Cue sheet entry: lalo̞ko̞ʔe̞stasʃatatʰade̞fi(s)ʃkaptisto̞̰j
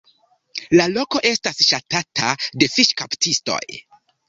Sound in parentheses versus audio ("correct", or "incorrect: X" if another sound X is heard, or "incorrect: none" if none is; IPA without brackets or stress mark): incorrect: none